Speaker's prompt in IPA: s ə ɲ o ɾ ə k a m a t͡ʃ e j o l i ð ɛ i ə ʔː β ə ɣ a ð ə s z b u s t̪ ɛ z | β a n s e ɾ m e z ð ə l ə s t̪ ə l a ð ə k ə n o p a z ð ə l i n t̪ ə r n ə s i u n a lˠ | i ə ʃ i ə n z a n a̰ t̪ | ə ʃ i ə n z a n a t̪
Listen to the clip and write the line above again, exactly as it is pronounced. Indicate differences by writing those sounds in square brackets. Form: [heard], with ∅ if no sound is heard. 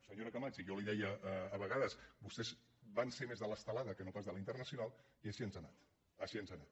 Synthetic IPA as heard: s ə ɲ o ɾ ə k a m a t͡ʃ [i] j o l i ð ɛ [j] ə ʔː β ə ɣ a ð ə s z b u s t̪ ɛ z | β a n s e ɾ m e z ð ə l ə s t̪ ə l a ð ə k ə n o p a z ð ə l i n t̪ ə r n ə s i u n a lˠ | i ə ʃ i ə n z a n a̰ t̪ | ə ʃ i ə n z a n a t̪